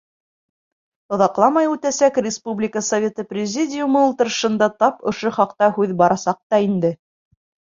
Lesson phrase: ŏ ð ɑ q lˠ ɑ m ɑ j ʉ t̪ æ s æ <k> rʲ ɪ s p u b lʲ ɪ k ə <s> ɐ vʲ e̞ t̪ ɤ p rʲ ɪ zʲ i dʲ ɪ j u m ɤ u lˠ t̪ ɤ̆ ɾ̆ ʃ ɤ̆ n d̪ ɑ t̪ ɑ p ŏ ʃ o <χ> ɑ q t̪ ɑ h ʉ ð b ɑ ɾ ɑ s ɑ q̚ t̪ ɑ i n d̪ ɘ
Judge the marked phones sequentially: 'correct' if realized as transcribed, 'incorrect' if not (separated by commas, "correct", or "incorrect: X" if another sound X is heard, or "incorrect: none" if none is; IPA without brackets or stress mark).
correct, correct, correct